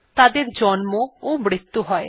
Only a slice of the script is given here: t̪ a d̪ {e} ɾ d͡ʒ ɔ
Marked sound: correct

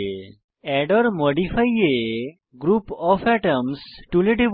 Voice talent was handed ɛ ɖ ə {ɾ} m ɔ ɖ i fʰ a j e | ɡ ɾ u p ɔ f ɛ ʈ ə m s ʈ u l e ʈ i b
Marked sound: correct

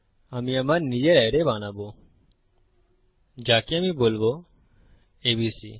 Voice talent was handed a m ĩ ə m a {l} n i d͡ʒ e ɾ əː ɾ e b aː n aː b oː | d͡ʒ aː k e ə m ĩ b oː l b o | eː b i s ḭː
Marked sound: incorrect: ɾ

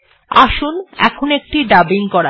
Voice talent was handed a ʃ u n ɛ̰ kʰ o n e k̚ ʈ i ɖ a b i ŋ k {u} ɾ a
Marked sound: incorrect: ɔ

